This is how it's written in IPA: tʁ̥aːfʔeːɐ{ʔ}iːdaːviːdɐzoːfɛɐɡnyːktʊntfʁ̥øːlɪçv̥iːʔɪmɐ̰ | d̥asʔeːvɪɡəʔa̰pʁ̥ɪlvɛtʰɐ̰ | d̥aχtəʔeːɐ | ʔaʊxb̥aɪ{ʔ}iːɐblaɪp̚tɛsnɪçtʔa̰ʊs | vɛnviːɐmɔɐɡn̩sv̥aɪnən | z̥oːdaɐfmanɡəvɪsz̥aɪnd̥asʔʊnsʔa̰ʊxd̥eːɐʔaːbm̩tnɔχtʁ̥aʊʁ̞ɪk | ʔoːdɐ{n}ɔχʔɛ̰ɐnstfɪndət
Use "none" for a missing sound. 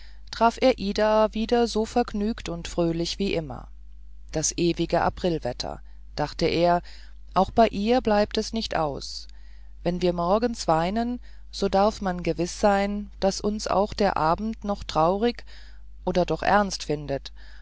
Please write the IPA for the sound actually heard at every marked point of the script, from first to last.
ʔ, ʔ, d

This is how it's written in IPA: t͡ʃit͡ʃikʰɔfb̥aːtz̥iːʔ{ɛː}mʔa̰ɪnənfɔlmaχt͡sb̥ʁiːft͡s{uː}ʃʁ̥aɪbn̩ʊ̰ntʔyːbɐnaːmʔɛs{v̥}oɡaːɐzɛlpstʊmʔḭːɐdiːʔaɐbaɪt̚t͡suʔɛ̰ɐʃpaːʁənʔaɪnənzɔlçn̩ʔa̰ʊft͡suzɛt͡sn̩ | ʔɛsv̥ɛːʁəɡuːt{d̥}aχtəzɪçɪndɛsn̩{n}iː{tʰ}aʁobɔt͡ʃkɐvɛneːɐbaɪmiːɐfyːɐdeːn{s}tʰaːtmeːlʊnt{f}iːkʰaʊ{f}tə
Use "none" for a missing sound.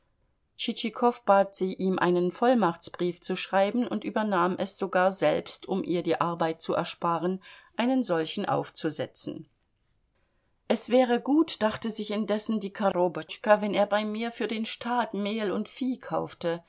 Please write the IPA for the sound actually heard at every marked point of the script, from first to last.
iː, u, z̥, d̥, d, kʰ, ʃ, f, f

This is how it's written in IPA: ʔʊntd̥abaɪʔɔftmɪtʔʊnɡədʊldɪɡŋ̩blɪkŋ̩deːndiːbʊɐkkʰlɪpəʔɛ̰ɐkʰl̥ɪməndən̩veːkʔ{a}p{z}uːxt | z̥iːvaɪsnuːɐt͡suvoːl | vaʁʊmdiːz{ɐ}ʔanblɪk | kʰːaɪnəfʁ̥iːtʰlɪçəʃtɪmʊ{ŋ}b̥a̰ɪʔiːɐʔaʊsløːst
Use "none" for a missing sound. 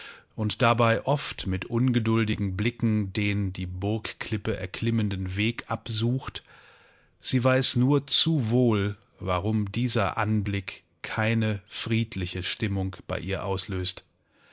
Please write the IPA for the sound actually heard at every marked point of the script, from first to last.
a, z, ɐ, ŋ

